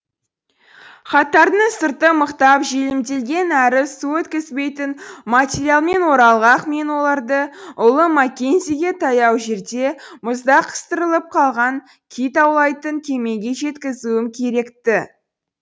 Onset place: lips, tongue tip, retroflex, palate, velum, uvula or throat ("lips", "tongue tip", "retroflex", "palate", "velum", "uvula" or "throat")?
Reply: uvula